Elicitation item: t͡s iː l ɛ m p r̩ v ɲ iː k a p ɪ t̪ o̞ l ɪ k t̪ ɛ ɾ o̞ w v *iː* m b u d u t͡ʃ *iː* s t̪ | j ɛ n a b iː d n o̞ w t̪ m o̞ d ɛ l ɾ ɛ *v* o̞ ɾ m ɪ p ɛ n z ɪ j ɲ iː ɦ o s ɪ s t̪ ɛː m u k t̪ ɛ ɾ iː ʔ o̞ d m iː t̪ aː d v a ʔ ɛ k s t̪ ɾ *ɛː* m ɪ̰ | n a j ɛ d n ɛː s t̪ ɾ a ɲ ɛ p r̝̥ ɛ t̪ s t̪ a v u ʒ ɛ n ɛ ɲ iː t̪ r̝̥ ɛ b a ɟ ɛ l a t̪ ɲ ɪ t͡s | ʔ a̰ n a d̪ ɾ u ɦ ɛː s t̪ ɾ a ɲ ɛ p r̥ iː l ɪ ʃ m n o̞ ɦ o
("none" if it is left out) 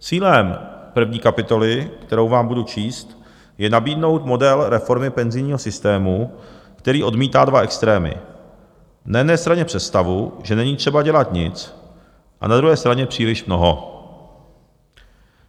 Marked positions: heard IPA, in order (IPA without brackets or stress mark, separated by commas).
aː, iː, f, ɛː